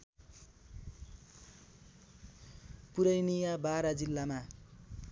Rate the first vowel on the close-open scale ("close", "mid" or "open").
close